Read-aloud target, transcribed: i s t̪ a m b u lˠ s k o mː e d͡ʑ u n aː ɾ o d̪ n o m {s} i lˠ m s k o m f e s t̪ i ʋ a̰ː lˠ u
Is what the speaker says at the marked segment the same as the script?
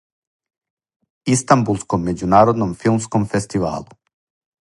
no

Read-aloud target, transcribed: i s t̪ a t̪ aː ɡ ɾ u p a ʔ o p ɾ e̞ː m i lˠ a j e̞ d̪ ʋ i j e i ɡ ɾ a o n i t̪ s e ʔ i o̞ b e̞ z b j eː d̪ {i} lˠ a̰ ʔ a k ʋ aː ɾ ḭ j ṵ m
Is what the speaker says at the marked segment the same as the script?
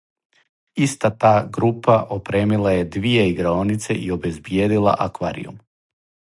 yes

